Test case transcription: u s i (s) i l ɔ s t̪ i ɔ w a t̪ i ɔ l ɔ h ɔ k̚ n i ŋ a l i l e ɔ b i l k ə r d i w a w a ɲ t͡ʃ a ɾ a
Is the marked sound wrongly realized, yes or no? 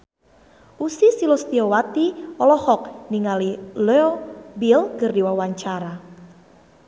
no